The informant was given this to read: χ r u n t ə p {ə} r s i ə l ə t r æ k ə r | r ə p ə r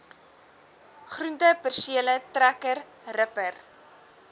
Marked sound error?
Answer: no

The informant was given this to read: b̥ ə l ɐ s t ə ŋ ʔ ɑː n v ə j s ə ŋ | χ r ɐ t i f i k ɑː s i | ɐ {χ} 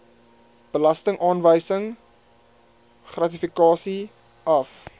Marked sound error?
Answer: yes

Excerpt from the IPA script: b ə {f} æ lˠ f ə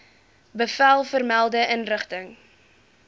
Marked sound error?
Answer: no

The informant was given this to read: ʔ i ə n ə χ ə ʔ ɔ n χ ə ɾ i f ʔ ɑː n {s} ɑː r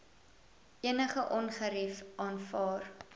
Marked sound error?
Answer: yes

